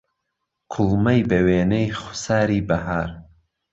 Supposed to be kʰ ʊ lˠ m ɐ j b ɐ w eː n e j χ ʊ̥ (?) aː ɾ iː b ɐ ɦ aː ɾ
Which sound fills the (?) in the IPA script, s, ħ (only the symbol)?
s